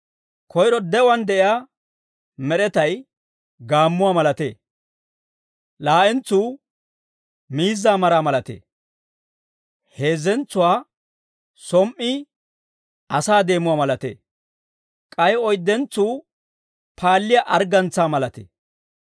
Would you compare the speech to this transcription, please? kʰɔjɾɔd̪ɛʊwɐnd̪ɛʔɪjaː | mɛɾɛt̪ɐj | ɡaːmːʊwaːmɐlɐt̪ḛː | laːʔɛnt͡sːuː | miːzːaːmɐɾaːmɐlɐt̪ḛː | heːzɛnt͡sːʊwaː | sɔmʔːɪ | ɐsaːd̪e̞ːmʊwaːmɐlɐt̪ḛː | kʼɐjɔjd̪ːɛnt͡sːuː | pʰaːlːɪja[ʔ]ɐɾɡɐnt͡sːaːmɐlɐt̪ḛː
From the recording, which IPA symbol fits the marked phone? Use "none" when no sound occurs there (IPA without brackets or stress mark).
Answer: ʔ